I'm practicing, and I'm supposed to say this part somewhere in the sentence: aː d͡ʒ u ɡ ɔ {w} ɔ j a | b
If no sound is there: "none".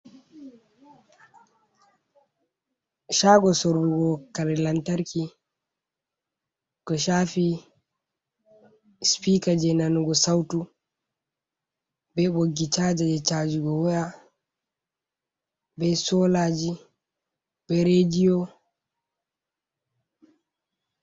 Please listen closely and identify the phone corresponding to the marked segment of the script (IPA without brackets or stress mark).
w